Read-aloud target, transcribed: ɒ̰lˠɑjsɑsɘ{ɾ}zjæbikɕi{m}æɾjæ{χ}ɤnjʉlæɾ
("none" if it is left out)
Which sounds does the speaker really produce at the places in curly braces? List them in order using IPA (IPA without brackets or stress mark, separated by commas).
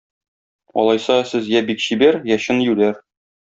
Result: none, b, ɕ